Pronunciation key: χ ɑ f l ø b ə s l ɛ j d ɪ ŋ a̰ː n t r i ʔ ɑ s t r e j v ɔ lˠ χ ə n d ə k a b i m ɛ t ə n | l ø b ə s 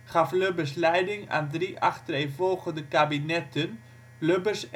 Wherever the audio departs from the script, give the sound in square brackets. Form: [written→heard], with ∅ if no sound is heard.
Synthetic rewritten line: χ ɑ f l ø b ə s l ɛ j d ɪ ŋ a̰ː n [t→d] r i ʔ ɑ [s→χ] t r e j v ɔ lˠ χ ə n d ə k a b i [m→n] ɛ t ə n | l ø b ə s